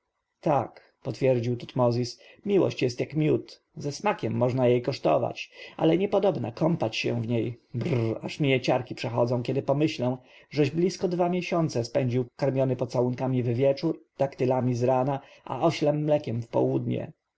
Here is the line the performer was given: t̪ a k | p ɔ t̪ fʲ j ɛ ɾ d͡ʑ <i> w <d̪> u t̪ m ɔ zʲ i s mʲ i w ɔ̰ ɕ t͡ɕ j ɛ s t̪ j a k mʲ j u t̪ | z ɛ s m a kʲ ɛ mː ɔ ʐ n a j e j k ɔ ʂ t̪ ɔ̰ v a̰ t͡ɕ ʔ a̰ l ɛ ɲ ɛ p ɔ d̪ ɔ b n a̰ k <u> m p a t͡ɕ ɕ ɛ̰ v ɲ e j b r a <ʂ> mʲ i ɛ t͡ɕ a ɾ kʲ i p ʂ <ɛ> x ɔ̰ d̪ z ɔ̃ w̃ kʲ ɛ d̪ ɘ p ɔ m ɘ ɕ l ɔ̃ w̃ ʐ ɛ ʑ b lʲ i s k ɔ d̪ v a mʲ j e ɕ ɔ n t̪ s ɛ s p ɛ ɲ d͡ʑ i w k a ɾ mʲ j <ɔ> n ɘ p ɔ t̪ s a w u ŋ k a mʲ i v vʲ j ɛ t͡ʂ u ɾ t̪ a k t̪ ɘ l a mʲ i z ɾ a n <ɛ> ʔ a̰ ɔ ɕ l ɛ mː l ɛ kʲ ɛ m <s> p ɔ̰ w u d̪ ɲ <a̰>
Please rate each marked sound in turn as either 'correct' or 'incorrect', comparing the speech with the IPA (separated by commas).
correct, incorrect, incorrect, correct, correct, correct, incorrect, incorrect, incorrect